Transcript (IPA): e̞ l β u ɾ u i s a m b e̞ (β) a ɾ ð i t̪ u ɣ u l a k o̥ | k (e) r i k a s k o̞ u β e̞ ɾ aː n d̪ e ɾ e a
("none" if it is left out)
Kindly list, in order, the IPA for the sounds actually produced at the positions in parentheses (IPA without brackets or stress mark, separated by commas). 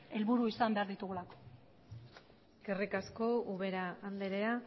none, e